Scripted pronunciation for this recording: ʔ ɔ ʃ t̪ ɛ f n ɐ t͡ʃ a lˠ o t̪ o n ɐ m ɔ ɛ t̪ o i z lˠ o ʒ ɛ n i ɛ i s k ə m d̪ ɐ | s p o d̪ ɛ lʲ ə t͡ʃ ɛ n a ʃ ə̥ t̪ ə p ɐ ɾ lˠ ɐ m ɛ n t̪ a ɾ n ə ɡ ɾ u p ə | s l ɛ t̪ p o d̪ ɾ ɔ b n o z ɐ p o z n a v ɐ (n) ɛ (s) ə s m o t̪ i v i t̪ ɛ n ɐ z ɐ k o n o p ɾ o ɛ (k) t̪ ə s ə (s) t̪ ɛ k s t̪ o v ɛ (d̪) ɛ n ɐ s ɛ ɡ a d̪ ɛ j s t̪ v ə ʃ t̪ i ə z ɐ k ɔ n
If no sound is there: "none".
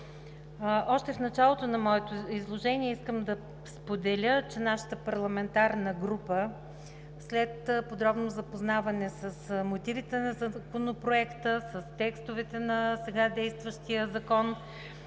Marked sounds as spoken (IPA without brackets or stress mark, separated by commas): n, s, k, s, t̪